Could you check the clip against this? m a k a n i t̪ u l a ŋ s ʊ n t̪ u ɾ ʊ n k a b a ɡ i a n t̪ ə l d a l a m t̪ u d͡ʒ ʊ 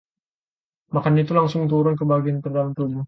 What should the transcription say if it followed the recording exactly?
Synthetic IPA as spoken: m a k a n i t̪ u l a ŋ s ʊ ŋ t̪ u ɾ ʊ n k ə b a ɡ i a n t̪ ə r d a l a m t̪ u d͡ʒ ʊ